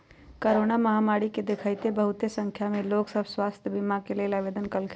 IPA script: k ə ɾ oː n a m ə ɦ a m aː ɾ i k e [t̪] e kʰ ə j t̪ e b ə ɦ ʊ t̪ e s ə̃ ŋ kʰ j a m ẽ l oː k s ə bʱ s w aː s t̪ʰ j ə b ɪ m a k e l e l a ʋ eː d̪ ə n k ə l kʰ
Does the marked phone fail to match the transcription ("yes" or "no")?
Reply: yes